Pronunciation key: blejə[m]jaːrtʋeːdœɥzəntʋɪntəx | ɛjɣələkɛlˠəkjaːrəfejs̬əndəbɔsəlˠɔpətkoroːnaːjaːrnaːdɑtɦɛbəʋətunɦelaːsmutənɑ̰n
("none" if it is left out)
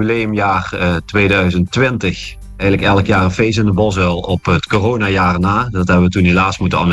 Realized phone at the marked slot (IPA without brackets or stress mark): m